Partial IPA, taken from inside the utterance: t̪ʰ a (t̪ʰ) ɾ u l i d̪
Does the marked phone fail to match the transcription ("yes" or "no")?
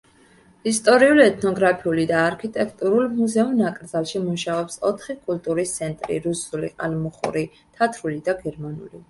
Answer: no